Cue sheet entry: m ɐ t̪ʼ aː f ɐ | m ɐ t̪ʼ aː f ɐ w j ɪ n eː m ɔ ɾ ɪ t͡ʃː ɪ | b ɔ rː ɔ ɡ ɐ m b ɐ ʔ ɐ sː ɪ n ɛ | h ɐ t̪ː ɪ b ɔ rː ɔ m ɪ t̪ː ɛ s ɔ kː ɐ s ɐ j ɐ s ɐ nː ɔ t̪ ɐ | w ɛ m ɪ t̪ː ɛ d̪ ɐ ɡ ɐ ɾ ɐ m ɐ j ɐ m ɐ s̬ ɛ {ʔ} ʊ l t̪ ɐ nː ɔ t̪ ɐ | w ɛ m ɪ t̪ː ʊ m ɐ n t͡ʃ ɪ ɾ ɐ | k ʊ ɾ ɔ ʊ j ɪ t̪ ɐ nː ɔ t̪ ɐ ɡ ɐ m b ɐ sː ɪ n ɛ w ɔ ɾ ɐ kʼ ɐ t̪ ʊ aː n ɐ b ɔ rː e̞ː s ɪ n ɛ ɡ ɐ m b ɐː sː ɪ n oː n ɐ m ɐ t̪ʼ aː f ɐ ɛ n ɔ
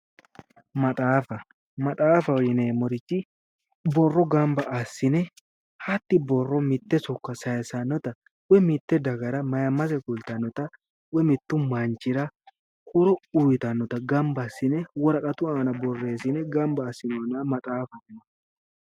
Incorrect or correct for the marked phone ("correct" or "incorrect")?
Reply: incorrect